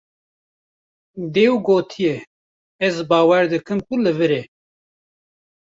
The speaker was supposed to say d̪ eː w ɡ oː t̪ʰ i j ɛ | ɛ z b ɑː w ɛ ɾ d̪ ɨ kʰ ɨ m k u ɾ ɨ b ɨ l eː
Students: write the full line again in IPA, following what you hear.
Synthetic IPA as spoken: d̪ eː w ɡ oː t̪ʰ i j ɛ | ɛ z b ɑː w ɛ ɾ d̪ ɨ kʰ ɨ m k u l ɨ v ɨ ɾ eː